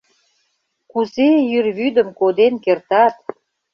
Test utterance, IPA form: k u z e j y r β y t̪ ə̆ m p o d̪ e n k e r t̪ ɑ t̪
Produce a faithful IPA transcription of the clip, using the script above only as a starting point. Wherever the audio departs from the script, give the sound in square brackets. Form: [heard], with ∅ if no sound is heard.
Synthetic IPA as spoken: k u z e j y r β y [d̪] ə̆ m [k] o d̪ e n k e r t̪ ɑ t̪